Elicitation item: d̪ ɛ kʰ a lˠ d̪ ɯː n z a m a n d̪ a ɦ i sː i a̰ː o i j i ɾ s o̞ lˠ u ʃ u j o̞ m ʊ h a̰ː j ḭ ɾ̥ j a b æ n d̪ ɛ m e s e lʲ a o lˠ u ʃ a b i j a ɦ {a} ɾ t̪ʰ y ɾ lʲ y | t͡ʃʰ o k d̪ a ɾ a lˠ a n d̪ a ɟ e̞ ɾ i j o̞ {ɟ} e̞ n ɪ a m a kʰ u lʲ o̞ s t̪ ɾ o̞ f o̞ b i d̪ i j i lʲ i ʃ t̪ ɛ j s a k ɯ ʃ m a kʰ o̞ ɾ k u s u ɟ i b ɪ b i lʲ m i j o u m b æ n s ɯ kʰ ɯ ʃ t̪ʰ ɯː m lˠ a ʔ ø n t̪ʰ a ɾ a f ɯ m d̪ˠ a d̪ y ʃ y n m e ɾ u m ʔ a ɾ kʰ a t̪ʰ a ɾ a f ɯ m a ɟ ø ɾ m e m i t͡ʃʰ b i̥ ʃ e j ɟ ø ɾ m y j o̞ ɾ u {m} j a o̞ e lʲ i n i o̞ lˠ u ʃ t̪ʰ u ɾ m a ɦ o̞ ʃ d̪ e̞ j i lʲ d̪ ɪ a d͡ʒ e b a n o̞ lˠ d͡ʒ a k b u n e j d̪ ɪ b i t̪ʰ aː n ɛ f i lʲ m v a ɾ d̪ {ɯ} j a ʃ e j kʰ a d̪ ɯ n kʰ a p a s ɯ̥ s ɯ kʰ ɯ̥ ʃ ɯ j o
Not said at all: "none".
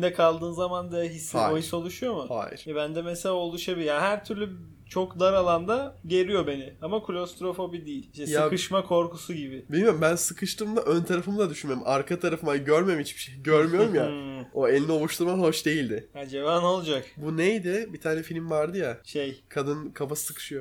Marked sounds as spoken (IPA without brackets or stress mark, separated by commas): æ, b, m, ɯ